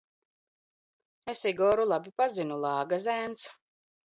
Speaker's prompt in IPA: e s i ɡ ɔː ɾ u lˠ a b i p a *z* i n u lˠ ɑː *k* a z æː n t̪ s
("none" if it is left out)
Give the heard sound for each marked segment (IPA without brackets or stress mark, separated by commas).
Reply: z, ɡ